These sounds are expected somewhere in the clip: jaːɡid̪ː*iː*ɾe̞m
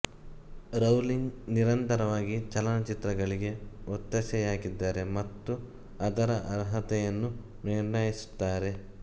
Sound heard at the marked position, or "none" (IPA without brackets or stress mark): aː